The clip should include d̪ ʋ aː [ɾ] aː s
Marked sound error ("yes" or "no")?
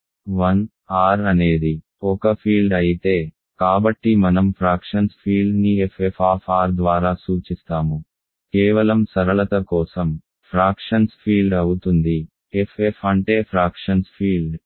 no